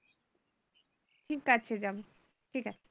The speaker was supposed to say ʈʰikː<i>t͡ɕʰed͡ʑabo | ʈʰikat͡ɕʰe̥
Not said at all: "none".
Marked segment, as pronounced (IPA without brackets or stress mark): a